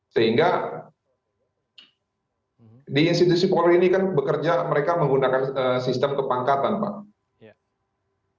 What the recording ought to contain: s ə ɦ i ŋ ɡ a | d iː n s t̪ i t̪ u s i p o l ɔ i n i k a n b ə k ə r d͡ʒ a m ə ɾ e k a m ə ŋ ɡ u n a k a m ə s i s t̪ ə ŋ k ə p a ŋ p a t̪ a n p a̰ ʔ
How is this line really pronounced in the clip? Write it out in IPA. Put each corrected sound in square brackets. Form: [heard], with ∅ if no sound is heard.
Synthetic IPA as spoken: s ə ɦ i ŋ ɡ a | d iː n s t̪ i t̪ u s i p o l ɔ i n i k a n b ə k ə r d͡ʒ a m ə ɾ e k a m ə ŋ ɡ u n a k a [n] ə s i s t̪ ə [m] k ə p a ŋ [k] a t̪ a n p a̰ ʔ